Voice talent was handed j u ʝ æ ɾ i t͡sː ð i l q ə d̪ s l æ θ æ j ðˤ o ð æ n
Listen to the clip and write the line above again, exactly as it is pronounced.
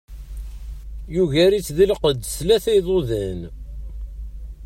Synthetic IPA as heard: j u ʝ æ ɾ i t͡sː ð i l q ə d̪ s l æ θ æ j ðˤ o ð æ n